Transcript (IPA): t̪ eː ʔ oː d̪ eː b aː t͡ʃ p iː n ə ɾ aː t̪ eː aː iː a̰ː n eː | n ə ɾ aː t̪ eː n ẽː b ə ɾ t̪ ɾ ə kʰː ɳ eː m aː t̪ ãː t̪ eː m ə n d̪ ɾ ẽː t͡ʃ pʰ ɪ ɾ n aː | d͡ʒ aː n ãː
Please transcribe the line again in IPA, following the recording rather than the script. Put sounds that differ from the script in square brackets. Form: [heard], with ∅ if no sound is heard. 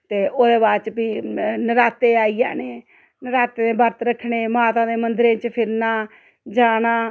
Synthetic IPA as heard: t̪ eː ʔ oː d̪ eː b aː t͡ʃ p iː n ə ɾ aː t̪ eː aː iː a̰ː n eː | n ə ɾ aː t̪ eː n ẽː b ə ɾ t̪ ɾ ə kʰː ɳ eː m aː t̪ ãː [d̪] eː m ə n d̪ ɾ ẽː t͡ʃ pʰ ɪ ɾ n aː | d͡ʒ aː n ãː